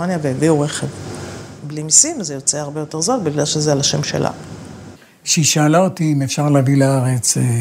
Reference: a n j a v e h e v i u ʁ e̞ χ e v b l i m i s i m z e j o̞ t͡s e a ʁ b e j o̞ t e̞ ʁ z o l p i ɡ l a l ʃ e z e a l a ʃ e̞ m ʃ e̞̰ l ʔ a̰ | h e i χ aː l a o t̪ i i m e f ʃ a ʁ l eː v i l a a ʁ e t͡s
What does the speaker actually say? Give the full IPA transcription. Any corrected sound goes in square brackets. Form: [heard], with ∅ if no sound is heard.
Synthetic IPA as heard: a n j a v e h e v i u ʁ e̞ χ e v b l i m i s i m z e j o̞ t͡s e a ʁ b e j o̞ t e̞ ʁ z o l [b] i ɡ l a l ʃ e z e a l a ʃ e̞ m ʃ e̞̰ l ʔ a̰ | [ʃ] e i [ʃ] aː l a o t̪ i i m e f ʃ a ʁ l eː v i l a a ʁ e t͡s